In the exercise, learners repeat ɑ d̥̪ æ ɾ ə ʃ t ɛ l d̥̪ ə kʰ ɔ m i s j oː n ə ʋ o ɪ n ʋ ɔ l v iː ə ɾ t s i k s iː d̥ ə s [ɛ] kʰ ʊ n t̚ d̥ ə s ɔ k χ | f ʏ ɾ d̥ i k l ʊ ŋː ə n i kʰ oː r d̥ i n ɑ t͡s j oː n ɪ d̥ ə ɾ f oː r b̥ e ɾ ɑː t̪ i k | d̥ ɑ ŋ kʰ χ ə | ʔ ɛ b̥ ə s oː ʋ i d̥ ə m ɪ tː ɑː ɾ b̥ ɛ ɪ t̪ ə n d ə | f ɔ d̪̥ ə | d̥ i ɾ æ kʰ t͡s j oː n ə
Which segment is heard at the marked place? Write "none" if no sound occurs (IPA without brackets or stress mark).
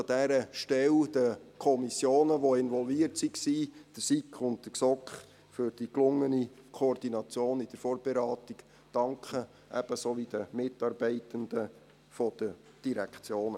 i